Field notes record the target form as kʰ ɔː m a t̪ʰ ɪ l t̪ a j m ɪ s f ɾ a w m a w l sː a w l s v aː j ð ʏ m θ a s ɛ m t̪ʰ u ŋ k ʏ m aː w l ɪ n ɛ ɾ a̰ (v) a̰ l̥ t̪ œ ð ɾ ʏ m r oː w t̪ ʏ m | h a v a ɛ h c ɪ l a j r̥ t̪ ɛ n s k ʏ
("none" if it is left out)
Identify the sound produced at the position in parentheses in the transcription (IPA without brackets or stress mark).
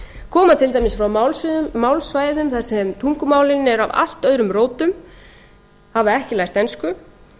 v